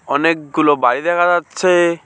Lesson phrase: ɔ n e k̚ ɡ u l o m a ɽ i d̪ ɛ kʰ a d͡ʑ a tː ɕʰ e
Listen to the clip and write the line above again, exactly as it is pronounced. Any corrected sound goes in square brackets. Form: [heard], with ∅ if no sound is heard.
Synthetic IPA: ɔ n e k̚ ɡ u l o [b] a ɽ i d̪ ɛ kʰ a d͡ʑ a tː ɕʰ e